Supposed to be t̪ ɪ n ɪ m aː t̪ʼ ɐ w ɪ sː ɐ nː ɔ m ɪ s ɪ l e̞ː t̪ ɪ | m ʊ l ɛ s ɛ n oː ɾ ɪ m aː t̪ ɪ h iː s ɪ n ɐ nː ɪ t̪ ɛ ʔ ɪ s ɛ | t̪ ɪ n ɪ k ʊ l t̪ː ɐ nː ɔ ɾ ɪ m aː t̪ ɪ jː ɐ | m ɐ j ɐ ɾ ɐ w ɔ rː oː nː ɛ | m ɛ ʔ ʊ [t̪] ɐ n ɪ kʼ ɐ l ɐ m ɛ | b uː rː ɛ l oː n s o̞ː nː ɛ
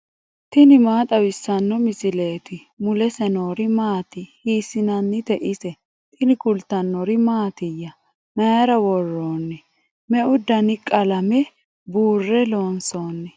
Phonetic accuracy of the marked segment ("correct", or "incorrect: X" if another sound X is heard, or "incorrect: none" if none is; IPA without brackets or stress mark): incorrect: d̪